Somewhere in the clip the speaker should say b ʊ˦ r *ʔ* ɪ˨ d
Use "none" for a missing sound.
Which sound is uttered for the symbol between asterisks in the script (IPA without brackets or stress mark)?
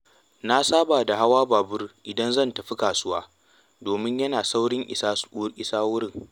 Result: ʔ